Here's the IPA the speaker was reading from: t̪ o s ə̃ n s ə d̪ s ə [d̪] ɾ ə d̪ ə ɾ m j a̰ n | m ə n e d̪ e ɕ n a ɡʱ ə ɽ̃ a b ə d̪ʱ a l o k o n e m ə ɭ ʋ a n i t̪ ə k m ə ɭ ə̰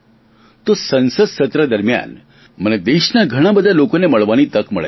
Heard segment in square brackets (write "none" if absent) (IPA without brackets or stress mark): t̪